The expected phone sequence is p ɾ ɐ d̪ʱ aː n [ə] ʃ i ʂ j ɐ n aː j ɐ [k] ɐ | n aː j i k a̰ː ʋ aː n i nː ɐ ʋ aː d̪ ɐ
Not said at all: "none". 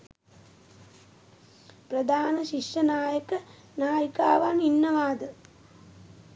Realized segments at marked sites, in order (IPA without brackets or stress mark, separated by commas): ɐ, k